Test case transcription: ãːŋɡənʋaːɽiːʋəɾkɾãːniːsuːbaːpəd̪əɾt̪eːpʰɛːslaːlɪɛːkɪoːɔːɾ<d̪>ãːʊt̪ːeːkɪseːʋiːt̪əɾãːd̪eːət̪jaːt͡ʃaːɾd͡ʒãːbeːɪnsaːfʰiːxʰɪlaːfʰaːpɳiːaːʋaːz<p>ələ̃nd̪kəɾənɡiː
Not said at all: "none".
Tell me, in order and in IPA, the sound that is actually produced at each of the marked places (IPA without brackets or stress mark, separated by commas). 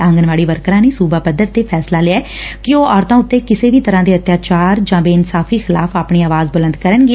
t̪, b